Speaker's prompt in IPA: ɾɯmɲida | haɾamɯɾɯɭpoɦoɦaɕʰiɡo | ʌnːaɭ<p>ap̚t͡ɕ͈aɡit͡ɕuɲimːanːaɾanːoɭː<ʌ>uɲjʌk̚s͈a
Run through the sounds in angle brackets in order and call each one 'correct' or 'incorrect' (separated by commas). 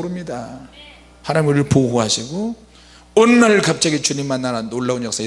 incorrect, incorrect